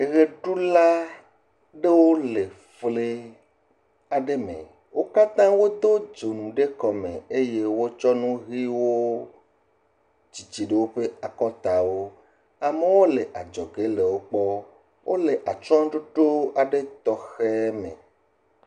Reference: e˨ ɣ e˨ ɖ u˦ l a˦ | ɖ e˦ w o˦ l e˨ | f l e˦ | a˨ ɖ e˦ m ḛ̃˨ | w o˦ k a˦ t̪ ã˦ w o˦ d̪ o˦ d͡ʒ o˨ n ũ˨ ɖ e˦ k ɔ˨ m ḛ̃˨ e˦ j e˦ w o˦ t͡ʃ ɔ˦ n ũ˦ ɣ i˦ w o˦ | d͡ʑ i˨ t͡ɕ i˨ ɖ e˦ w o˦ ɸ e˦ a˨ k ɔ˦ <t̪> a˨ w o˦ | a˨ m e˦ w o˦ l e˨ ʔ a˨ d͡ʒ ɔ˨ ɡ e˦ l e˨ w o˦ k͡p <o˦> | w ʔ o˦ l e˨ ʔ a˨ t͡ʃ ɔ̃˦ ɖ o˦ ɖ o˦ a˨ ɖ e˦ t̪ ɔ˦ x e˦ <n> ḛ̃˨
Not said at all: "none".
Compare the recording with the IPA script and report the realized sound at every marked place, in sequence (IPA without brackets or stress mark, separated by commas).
t̪, ɔ˦, m